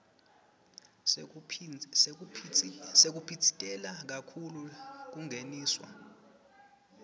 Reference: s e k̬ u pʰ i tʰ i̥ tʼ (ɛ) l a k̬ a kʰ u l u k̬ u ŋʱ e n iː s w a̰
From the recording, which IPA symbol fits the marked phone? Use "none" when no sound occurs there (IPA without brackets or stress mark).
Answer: ɛ